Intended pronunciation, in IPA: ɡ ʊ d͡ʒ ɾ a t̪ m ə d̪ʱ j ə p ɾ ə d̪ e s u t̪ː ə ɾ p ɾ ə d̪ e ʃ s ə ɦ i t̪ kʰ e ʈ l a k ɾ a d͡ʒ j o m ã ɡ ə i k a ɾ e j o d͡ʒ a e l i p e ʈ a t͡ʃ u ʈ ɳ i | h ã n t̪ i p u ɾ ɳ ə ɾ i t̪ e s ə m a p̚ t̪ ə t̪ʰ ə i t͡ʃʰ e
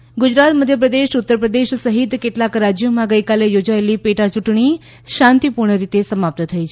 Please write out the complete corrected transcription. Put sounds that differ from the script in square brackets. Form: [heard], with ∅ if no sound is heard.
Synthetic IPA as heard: ɡ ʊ d͡ʒ ɾ a t̪ m ə d̪ʱ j ə p ɾ ə d̪ e [ʃ] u t̪ː ə ɾ p ɾ ə d̪ e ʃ s ə ɦ i t̪ [k] e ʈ l a k ɾ a d͡ʒ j o m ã ɡ ə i k a [l] e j o d͡ʒ a e l i p e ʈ a t͡ʃ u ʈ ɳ i | [ʃ] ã n t̪ i p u ɾ ɳ ə ɾ i t̪ e s ə m a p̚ t̪ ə t̪ʰ ə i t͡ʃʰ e